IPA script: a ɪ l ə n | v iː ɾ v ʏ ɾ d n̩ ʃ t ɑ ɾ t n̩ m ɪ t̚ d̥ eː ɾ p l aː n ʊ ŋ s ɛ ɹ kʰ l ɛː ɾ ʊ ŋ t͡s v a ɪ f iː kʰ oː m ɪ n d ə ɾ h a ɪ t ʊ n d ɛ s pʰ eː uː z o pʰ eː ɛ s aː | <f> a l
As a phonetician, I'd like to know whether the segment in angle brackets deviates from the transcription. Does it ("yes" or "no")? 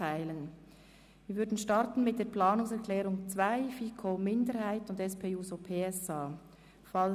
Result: no